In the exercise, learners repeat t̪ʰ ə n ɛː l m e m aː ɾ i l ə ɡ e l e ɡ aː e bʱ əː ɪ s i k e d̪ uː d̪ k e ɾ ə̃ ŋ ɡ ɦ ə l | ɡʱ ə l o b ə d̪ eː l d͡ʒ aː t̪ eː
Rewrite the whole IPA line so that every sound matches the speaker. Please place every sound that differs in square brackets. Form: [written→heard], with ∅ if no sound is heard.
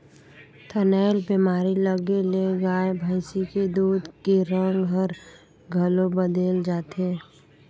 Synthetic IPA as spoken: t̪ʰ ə n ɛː l [m→b] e m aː ɾ i l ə ɡ e l e ɡ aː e bʱ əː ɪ s i k e d̪ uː d̪ k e ɾ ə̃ ŋ ɡ ɦ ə [l→ɾ] | ɡʱ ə l o b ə d̪ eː l d͡ʒ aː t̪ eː